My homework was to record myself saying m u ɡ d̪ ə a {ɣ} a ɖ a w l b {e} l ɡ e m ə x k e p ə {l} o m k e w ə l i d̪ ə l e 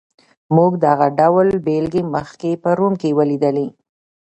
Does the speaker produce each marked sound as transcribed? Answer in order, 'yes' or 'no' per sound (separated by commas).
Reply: yes, yes, no